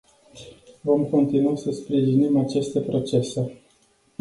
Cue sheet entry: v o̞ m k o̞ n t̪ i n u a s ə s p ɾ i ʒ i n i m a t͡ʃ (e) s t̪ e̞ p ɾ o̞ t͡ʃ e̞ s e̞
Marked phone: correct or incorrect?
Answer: correct